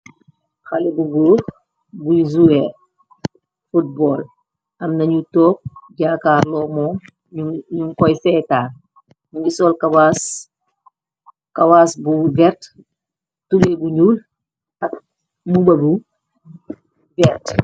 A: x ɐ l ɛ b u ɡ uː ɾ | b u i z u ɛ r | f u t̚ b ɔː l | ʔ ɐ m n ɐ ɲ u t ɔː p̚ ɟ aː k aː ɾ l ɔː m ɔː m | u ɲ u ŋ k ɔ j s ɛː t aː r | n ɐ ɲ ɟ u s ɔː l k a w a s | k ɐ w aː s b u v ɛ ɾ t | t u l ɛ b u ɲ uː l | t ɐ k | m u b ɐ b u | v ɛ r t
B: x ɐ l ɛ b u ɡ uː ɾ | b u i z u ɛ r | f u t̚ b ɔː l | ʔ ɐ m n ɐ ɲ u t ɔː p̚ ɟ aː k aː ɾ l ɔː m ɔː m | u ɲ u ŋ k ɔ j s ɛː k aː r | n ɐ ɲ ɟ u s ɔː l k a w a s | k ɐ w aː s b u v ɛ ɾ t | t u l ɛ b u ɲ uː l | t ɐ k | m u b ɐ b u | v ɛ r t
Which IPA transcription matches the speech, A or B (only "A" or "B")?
A